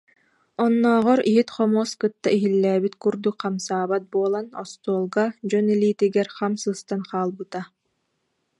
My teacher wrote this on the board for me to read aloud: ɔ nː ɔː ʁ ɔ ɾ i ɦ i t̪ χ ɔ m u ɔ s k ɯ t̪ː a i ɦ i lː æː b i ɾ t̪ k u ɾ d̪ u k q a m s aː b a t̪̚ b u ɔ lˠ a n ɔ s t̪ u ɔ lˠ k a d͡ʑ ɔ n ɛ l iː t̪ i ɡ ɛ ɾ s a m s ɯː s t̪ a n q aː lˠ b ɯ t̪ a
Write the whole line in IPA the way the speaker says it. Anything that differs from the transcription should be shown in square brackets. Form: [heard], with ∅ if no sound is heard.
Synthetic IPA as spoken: ɔ nː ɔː ʁ ɔ ɾ i ɦ i t̪ χ ɔ m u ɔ s k ɯ t̪ː a i ɦ i lː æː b i [∅] t̪ k u ɾ d̪ u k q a m s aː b a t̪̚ b u ɔ lˠ a n ɔ s t̪ u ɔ lˠ [ɡ] a d͡ʑ ɔ n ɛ l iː t̪ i ɡ ɛ ɾ [χ] a m s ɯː s t̪ a n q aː lˠ b ɯ t̪ a

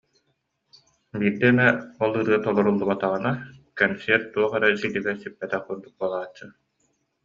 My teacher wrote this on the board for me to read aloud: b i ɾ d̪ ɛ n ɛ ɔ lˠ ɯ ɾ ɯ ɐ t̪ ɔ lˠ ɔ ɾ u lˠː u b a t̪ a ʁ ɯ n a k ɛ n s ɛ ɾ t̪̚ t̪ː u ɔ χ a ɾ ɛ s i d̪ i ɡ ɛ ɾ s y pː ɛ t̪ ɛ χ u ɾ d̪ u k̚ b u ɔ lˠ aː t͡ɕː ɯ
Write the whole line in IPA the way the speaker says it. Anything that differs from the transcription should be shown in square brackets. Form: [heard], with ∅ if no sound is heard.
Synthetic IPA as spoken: b [iː] ɾ d̪ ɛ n ɛ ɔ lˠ ɯ ɾ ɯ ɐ t̪ ɔ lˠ ɔ ɾ u lˠː u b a t̪ a ʁ ɯ n a k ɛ n s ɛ ɾ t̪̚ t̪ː u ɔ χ [ɛ] ɾ ɛ s i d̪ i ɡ ɛ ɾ s y pː ɛ t̪ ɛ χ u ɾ d̪ u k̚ b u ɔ lˠ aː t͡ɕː ɯ

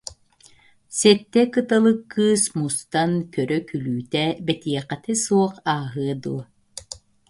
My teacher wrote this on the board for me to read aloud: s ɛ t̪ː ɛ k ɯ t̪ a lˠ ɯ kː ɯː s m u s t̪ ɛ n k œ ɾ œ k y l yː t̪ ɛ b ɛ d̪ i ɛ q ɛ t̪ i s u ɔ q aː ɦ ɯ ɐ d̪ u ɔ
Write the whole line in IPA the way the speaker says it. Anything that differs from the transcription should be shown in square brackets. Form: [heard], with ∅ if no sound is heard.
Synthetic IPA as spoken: s ɛ t̪ː ɛ k ɯ t̪ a lˠ ɯ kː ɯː s m u s t̪ [a] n k œ ɾ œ k y l yː t̪ ɛ b ɛ [t̪] i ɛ q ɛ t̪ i s u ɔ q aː ɦ ɯ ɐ d̪ u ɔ

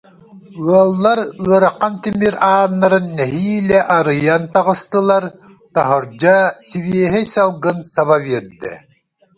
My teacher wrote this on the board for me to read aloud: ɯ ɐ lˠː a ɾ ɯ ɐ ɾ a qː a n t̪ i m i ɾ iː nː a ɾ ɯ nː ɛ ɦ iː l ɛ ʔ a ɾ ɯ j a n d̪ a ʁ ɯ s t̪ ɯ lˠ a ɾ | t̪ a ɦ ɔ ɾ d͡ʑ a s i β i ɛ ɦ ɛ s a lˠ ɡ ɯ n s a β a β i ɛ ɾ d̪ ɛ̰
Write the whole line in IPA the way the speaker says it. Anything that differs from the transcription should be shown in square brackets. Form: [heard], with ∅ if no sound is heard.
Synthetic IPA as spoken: ɯ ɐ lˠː a ɾ ɯ ɐ ɾ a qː a n t̪ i m i ɾ [aː] nː a ɾ ɯ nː ɛ ɦ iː l ɛ ʔ a ɾ ɯ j a n [t̪] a ʁ ɯ s t̪ ɯ lˠ a ɾ | t̪ a ɦ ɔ ɾ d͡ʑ a s i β i ɛ ɦ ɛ s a lˠ ɡ ɯ n s a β a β i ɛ ɾ d̪ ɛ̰

